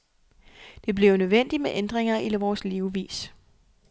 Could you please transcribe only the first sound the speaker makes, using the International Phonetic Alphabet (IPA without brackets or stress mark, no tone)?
d̥